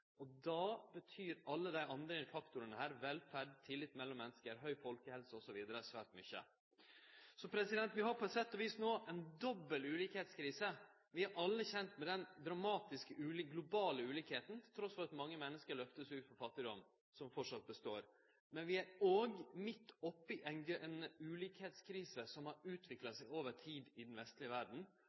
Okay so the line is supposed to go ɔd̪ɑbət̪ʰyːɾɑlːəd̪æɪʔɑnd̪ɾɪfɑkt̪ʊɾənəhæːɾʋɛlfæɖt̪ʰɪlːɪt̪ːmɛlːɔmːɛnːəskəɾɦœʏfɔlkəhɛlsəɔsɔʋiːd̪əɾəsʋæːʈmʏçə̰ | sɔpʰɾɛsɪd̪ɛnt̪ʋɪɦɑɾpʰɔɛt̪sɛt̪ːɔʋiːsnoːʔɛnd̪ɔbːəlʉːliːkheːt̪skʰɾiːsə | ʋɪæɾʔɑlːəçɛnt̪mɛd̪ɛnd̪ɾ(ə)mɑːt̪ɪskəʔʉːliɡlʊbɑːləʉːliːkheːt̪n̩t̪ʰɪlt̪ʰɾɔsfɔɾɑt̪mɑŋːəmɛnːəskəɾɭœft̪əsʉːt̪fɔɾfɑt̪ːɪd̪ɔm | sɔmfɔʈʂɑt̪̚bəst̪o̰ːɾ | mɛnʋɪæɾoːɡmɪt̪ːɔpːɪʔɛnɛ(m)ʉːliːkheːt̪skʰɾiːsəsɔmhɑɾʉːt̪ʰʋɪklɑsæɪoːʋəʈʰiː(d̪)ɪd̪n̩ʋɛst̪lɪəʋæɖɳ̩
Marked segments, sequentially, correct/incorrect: incorrect, incorrect, correct

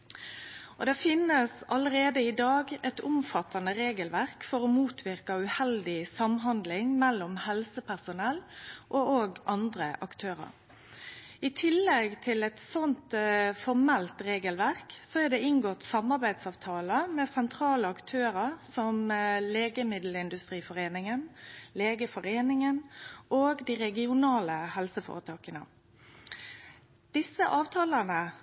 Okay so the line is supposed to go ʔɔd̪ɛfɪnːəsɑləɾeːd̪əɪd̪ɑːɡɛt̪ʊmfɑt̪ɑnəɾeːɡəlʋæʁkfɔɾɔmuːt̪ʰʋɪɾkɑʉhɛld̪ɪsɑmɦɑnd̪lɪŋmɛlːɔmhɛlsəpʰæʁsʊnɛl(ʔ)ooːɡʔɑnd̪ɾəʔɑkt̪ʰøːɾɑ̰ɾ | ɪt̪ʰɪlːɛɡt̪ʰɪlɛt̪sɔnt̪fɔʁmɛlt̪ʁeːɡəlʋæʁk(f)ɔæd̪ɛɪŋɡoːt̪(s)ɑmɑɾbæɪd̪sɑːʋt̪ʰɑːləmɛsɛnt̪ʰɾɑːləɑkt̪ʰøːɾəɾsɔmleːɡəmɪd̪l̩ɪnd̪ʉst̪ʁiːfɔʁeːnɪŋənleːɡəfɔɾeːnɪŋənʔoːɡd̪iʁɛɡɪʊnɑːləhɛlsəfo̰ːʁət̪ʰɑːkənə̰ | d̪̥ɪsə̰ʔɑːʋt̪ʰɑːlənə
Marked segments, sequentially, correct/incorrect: correct, incorrect, correct

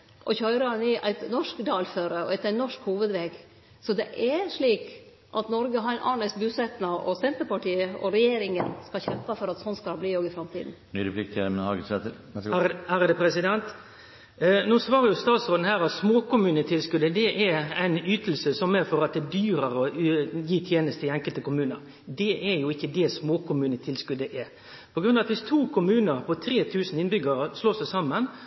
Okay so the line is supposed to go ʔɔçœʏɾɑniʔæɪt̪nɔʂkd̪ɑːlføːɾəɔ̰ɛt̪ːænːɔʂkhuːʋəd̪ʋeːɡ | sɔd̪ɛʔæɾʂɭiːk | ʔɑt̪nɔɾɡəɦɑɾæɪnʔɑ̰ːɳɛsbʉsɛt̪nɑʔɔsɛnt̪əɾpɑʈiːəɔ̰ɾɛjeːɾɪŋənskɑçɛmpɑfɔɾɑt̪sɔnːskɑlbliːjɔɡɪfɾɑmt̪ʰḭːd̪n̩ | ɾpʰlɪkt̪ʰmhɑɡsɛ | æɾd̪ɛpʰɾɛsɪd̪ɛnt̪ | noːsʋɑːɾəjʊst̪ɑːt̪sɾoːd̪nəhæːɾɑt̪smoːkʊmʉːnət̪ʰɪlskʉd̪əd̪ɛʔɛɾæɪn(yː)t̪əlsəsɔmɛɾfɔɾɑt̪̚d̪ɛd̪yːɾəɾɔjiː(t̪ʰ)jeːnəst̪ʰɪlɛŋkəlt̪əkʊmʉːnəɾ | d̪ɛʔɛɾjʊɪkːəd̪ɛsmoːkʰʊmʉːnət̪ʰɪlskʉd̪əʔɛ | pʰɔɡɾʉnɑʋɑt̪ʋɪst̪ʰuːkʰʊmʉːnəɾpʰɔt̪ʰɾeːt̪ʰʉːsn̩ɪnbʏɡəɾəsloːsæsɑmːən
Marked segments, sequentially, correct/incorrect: correct, correct

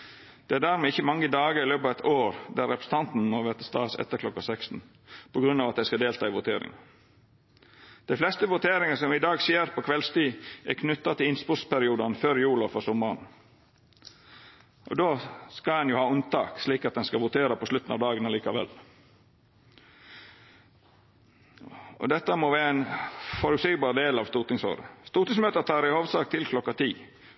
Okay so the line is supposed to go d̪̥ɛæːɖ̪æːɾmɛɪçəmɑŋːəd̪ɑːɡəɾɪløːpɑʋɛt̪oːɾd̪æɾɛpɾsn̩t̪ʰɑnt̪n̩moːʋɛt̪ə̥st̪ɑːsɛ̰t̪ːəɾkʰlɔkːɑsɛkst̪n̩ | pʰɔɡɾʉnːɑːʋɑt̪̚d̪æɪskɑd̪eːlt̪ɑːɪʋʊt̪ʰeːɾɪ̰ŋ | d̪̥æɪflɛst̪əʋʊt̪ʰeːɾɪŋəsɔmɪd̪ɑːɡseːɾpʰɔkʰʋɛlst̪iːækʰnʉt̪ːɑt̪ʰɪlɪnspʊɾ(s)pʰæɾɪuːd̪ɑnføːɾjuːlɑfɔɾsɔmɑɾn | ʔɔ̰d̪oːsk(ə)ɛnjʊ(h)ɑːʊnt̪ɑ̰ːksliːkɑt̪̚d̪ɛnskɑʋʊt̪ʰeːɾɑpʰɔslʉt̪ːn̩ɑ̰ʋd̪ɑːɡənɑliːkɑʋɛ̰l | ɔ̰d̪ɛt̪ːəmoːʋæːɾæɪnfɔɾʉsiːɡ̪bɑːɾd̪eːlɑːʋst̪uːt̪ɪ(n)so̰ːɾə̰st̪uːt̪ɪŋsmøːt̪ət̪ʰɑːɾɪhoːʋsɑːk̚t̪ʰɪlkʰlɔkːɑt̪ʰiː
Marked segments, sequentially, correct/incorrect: correct, incorrect, correct, incorrect

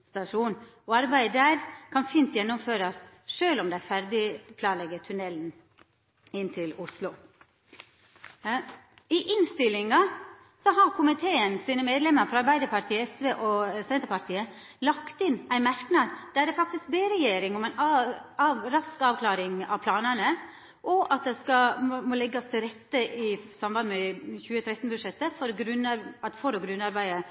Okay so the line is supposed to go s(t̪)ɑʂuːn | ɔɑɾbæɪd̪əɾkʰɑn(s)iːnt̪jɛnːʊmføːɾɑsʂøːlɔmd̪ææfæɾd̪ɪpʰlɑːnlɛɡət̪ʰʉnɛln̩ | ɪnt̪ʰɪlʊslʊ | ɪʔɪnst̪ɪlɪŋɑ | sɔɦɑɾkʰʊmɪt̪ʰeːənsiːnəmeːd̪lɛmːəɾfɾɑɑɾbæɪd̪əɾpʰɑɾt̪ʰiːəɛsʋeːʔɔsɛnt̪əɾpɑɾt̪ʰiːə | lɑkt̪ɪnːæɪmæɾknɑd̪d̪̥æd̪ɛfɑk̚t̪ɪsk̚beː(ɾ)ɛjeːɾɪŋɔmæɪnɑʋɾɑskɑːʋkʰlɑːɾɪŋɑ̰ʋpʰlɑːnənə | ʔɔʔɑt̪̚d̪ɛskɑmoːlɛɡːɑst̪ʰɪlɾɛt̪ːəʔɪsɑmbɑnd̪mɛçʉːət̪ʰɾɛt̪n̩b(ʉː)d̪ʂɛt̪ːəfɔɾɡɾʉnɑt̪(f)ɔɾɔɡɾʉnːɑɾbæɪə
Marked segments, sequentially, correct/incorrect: correct, incorrect, correct, incorrect, correct

